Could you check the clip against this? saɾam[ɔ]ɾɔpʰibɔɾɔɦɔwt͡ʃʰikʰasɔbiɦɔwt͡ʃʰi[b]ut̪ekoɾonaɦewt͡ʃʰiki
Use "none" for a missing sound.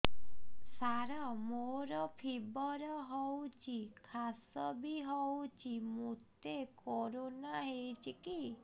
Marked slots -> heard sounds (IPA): o, m

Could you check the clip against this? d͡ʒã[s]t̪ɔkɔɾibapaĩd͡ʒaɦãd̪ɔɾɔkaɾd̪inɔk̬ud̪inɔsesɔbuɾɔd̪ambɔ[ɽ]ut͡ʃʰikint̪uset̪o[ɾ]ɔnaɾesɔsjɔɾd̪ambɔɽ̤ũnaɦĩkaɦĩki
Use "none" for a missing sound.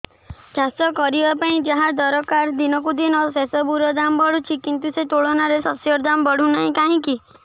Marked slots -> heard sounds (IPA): s, ɽ, ɭ

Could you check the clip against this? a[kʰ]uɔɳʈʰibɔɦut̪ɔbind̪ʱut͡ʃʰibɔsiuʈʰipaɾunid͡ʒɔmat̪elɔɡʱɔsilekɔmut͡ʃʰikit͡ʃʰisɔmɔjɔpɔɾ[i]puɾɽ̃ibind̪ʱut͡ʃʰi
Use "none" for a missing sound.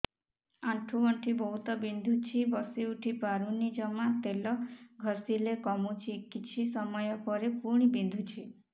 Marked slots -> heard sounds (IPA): ʈʰ, e

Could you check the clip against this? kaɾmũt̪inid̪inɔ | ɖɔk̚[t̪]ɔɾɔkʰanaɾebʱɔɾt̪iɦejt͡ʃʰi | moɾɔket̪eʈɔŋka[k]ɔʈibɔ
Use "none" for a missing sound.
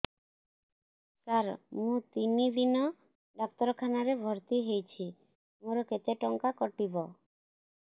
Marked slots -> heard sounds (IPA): t̪, k

